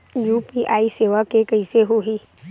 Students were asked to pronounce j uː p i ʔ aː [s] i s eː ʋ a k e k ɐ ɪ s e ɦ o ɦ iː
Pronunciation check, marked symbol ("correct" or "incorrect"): incorrect